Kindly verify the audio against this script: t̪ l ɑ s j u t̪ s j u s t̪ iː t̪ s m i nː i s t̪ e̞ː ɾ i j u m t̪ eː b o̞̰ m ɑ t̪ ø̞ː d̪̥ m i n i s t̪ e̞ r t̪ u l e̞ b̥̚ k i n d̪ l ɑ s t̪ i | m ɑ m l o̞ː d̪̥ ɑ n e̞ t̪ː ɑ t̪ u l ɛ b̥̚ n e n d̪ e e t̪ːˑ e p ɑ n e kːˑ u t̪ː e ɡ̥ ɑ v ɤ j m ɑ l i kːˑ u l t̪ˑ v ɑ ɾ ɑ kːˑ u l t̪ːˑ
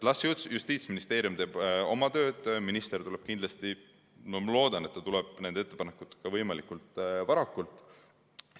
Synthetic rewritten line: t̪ l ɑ s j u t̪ s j u s t̪ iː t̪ s m i n i s t̪ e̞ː ɾ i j u m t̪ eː b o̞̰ m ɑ t̪ ø̞ː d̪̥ m i n i s t̪ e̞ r t̪ u l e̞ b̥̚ k i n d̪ l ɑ s t̪ i | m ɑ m l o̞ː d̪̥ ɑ n e̞ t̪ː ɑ t̪ u l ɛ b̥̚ n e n d̪ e e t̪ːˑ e p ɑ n e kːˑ u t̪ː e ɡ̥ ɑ v ɤ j m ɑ l i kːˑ u l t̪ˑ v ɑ ɾ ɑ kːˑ u l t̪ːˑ